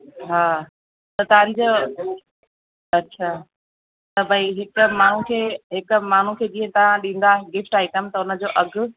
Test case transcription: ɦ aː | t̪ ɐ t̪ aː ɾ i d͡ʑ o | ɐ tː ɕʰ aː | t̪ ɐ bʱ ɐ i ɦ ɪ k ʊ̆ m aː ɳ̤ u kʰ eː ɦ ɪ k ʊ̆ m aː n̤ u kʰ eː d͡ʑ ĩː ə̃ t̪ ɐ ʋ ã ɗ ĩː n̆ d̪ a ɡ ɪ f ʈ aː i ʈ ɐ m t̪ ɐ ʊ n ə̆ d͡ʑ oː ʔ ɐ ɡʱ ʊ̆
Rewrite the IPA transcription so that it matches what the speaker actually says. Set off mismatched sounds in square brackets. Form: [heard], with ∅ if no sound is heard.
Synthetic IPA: ɦ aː | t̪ ɐ t̪ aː ɾ i d͡ʑ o | ɐ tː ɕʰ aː | t̪ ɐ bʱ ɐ i ɦ ɪ k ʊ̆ m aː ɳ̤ u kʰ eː ɦ ɪ k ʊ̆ m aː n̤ u kʰ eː d͡ʑ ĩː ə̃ t̪ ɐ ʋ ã ɗ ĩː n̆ d̪ a ɡ ɪ f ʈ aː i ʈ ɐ m t̪ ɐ ʊ n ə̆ d͡ʑ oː ʔ ɐ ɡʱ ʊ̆